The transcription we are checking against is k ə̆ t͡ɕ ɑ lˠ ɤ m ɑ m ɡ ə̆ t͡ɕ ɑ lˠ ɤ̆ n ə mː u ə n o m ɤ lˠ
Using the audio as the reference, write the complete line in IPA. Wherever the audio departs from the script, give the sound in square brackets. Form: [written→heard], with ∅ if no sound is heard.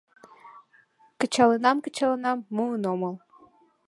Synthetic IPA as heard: k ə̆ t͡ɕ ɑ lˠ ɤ [m→n] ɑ m [ɡ→k] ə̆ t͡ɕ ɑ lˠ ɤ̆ n [ə→ɑ] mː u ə n o m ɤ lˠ

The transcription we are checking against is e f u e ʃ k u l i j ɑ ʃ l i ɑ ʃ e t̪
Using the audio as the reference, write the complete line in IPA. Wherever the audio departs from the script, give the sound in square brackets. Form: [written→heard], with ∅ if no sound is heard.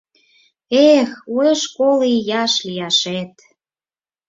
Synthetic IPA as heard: e [f→x] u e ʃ k [u→o] l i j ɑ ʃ l i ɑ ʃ e t̪

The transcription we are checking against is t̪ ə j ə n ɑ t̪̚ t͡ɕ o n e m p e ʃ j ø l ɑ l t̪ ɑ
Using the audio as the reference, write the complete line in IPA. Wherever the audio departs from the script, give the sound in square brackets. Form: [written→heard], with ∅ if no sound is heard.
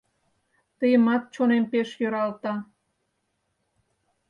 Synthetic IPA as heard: t̪ ə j ə [n→m] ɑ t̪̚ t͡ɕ o n e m p e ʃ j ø [l→ɾ] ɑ l t̪ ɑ

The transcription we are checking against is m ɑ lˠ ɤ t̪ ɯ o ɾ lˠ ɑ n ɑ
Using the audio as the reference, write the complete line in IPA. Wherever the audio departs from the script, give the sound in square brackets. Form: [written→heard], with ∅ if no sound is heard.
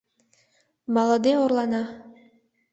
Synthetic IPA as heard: m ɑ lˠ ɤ [t̪→d̪] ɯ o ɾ lˠ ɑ n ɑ

